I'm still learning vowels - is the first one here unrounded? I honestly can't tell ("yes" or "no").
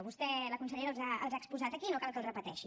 no